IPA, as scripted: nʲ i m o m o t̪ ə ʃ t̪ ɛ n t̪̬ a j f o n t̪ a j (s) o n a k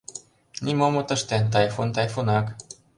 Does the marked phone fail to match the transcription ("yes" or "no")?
yes